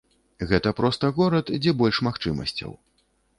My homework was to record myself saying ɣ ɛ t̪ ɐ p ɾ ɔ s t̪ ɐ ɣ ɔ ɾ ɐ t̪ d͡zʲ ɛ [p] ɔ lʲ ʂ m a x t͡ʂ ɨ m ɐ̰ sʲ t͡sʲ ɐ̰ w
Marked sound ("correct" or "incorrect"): incorrect